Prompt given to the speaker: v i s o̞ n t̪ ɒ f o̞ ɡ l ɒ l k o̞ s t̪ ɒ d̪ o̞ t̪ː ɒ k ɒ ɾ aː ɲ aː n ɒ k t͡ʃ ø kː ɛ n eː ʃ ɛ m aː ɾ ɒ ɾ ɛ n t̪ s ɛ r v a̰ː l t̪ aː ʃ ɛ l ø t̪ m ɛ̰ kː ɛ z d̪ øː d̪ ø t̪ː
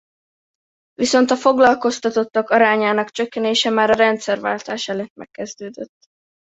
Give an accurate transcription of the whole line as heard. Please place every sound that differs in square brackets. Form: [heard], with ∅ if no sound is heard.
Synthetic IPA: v i s o̞ n t̪ ɒ f o̞ ɡ l ɒ l k o̞ s t̪ ɒ [t̪] o̞ t̪ː ɒ k ɒ ɾ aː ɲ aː n ɒ k t͡ʃ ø kː ɛ n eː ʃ ɛ m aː ɾ ɒ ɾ ɛ n t̪ s ɛ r v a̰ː l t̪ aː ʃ ɛ l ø t̪ m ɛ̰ kː ɛ z d̪ øː d̪ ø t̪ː